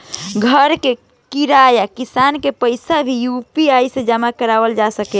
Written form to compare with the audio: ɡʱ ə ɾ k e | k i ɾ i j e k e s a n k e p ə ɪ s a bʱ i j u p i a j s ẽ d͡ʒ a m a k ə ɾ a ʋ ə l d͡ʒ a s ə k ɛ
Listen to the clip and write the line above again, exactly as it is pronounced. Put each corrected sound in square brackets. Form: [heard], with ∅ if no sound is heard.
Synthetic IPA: ɡʱ ə ɾ k e | k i ɾ [a] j [a] k [i] s a n k e p ə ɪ s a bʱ i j u p i a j s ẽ d͡ʒ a m a k ə ɾ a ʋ ə l d͡ʒ a s ə k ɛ